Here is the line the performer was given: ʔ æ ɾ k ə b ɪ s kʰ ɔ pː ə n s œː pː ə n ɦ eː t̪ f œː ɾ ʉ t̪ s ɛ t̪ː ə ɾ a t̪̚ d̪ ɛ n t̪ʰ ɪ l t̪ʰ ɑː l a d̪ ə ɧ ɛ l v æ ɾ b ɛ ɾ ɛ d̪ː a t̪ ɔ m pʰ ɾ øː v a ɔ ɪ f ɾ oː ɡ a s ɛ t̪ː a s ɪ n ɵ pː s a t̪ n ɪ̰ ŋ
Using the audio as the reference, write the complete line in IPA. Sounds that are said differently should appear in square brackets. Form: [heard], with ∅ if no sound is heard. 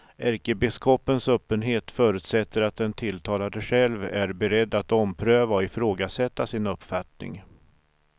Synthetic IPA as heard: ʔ æ ɾ k ə b ɪ s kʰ ɔ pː ə n s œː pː ə n ɦ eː t̪ f œː ɾ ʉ t̪ s ɛ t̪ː ə ɾ a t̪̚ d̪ ɛ n t̪ʰ ɪ l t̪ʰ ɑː l a d̪ ə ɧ ɛ l v æ ɾ b ɛ ɾ ɛ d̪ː a t̪ ɔ m pʰ ɾ øː v a ɔ ɪ f ɾ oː ɡ a s ɛ t̪ː a s ɪ n ɵ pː [f] a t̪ n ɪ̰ ŋ